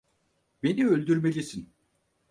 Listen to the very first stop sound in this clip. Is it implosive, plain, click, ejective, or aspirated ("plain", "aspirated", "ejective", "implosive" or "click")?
plain